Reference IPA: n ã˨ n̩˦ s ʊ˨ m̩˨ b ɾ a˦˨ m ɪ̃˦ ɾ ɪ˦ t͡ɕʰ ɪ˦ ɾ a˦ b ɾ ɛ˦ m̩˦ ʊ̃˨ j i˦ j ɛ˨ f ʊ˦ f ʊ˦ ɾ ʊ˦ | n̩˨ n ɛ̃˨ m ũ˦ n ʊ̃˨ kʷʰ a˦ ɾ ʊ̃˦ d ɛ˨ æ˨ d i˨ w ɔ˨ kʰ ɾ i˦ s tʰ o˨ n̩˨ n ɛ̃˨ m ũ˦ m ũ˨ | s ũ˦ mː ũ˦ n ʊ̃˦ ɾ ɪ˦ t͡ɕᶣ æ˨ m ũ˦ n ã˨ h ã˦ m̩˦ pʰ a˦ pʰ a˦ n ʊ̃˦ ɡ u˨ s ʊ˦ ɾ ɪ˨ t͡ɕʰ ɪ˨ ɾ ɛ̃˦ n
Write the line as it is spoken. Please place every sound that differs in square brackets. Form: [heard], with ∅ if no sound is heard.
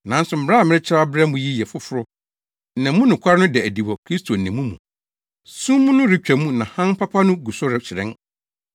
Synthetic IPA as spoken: n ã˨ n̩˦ s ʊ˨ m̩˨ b ɾ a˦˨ m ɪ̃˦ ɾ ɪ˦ t͡ɕʰ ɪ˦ ɾ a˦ b ɾ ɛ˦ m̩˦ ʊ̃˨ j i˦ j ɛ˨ f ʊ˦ f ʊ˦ ɾ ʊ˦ | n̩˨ n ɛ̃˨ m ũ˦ n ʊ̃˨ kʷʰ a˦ ɾ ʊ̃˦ d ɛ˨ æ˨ d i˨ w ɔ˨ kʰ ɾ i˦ s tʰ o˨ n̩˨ n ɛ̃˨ m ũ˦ m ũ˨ | s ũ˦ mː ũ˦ n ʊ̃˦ ɾ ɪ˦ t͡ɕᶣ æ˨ m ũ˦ n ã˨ h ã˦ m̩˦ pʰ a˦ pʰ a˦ n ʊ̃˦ ɡ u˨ s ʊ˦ ɾ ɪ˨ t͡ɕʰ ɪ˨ ɾ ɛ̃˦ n